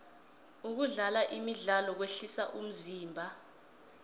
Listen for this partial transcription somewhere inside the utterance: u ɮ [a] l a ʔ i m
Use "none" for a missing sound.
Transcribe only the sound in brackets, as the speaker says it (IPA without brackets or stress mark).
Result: a